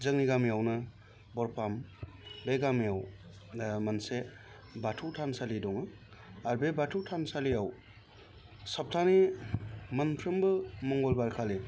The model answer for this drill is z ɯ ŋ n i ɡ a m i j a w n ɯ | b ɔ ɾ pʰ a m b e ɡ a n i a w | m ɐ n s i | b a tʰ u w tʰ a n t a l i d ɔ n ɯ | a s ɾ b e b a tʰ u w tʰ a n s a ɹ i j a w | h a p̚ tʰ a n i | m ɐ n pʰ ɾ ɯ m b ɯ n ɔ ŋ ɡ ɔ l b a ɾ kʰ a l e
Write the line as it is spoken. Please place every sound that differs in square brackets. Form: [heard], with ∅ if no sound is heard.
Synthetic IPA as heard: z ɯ ŋ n i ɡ a m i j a w n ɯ | b ɔ ɾ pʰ a m b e ɡ a [m] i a w | m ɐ n s [e] | b a tʰ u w tʰ a n [s] a l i d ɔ [ŋ] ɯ | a [∅] ɾ b e b a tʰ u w tʰ a n s a [l] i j a w | [s] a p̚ tʰ a n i | m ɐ n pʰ ɾ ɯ m b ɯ [m] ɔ ŋ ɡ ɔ l b a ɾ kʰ a l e